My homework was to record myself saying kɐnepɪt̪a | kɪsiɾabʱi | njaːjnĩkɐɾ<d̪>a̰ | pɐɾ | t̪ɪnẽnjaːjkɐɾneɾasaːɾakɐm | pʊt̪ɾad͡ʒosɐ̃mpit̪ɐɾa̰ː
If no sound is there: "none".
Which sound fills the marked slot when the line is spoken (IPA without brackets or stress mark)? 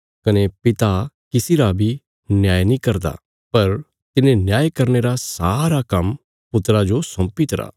d̪